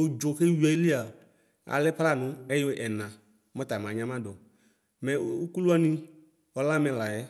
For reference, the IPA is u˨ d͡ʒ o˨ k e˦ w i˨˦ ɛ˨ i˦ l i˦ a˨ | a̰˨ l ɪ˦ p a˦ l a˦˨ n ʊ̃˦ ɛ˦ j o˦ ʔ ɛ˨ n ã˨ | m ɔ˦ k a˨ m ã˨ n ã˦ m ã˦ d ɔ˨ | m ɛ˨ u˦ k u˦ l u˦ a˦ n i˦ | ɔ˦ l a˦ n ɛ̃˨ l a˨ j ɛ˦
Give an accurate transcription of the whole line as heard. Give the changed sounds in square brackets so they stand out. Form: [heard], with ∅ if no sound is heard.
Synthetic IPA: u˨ d͡ʒ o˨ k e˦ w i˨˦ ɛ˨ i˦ l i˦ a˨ | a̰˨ l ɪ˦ p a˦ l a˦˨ n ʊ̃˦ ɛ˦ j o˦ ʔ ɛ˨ n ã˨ | m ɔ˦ [t] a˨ m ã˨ [ɲ] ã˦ m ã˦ d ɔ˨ | m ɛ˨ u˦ k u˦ l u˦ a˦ n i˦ | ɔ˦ l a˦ [m] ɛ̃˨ l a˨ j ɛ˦